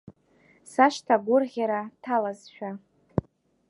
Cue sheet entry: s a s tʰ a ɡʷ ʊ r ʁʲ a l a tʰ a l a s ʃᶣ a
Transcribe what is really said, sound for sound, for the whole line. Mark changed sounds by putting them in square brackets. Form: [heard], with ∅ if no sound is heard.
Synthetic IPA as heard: s a [ʃ] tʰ a ɡʷ ʊ r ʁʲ a [ɾ] a tʰ a l a [z] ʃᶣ a

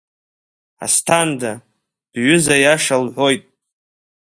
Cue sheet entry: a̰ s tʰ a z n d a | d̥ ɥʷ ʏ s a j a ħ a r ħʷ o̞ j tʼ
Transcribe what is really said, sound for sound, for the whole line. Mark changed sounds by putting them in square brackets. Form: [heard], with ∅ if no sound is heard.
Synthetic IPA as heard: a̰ s tʰ a [∅] n d a | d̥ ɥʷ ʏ [z] a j a [ʂ] a [l] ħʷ o̞ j tʼ

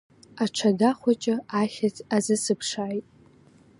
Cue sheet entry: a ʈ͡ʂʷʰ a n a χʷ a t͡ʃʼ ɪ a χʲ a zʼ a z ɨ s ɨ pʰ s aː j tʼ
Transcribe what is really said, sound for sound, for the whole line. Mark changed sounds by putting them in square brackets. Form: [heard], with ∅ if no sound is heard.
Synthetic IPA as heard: a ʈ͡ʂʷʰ a [d] a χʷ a t͡ʃʼ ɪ a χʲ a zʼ a z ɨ s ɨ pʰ [ʂ] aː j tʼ

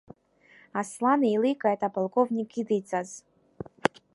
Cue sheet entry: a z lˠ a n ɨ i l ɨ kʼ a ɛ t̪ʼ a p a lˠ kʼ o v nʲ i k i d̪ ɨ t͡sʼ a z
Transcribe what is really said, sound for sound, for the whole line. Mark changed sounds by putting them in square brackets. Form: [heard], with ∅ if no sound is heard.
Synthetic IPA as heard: a [s] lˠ a n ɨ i l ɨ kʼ a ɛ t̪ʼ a p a lˠ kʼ o v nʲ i k i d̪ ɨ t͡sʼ a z

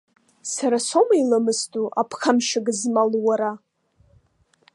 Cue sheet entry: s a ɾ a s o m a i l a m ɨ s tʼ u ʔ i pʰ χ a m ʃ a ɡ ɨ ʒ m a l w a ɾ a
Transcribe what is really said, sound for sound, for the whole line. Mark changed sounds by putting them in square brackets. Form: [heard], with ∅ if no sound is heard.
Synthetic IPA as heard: s a ɾ a s o m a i l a m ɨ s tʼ u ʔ [a] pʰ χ a m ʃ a ɡ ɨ [z] m a l w a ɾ a

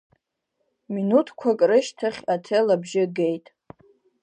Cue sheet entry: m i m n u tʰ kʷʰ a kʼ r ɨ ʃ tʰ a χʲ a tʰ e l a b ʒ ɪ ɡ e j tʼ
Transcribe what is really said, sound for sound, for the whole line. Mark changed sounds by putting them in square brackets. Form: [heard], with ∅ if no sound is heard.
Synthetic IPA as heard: m i [∅] n u tʰ kʷʰ a kʼ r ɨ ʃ tʰ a χʲ a tʰ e l a b ʒ ɪ ɡ e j tʼ

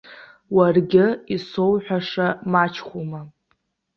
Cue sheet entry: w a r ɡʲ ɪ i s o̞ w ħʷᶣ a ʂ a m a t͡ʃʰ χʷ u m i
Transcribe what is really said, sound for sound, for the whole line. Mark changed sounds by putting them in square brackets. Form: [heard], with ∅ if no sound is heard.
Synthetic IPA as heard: w a r ɡʲ ɪ i s o̞ w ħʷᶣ a ʂ a m a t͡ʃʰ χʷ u m [a]

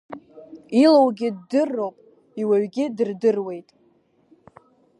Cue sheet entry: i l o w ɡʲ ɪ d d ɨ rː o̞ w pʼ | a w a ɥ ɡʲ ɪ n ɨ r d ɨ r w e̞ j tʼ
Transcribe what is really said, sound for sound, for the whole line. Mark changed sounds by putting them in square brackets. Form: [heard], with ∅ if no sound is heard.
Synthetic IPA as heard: i l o w ɡʲ ɪ d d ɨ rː o̞ w pʼ | [i] w a ɥ ɡʲ ɪ [d] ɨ r d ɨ r w e̞ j tʼ

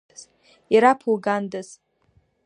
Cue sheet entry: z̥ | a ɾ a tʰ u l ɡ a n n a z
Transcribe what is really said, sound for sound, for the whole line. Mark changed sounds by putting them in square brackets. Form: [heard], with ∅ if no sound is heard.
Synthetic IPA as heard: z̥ | [i] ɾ a [pʰ] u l ɡ a n [d] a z

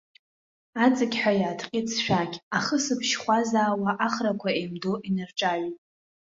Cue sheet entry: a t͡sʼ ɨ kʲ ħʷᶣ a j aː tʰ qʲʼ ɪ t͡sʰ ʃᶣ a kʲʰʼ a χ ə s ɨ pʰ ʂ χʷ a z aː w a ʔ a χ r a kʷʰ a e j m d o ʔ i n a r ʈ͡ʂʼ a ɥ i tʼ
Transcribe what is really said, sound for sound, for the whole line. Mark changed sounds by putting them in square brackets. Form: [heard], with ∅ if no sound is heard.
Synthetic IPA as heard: a t͡sʼ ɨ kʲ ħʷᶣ a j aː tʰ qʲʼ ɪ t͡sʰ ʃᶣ a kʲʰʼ a χ ə s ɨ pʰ [ʃ] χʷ a z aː w a ʔ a χ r a kʷʰ a e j m d o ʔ i n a r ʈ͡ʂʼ a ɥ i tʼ

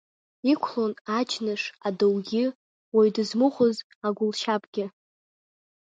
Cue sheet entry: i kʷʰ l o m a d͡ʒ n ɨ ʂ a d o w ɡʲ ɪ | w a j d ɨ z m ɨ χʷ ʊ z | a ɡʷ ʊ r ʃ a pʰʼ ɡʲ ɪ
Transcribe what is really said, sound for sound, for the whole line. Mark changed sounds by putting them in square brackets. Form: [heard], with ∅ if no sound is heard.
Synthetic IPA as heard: i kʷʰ l o [n] a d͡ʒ n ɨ ʂ a d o w ɡʲ ɪ | w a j d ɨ z m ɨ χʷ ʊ z | a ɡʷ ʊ [l] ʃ a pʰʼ ɡʲ ɪ

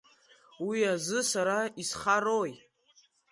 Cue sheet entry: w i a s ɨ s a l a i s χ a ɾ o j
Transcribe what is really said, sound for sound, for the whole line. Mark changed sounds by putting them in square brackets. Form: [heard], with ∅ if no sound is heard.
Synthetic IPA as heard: w i a [z] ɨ s a [ɾ] a i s χ a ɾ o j

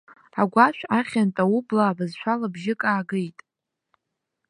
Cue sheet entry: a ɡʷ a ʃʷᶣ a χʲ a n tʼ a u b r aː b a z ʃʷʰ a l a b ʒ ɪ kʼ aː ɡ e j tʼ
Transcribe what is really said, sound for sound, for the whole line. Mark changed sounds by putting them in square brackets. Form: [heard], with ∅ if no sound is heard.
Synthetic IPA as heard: a ɡʷ a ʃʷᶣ a χʲ a n tʼ a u b [l] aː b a z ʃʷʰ a l a b ʒ ɪ kʼ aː ɡ e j tʼ

